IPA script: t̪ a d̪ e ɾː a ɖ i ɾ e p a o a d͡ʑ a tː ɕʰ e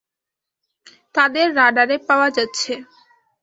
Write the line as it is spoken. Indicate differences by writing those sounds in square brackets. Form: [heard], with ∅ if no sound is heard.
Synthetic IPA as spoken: t̪ a d̪ e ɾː a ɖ [a] ɾ e p a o a d͡ʑ a tː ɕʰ e